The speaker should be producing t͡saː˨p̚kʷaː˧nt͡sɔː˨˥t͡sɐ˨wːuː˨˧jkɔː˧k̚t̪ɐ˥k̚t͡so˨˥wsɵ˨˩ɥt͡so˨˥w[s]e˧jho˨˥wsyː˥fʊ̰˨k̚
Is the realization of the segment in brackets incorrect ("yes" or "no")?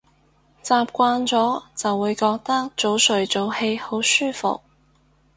yes